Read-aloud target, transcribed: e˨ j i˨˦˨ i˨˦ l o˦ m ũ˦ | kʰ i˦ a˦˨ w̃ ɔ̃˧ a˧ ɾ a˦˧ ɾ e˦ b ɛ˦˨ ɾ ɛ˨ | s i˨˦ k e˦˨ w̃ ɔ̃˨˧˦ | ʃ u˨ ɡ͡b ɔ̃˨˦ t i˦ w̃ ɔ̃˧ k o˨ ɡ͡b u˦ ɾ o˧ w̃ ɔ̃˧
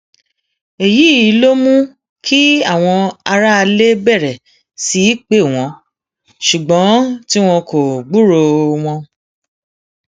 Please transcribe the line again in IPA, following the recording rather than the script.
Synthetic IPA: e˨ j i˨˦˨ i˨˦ l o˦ m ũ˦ | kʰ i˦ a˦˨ w̃ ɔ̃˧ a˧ ɾ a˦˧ l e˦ b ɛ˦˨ ɾ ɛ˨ | s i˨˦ k͡p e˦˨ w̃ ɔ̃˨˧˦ | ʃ u˨ ɡ͡b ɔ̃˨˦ t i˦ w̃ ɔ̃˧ k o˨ ɡ͡b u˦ ɾ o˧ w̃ ɔ̃˧